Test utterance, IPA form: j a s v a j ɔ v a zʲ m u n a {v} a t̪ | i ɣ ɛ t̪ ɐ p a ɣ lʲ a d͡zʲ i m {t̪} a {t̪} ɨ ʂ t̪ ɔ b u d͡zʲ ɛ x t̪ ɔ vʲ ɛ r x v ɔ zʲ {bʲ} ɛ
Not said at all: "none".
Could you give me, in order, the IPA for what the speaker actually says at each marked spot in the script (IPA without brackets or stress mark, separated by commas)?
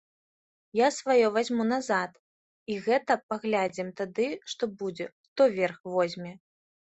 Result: z, t̪, d̪, mʲ